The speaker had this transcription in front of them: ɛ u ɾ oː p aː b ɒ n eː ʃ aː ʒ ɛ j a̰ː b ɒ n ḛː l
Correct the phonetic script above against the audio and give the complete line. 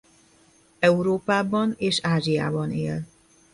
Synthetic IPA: ɛ u ɾ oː p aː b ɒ n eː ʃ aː ʒ i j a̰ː b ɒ n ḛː l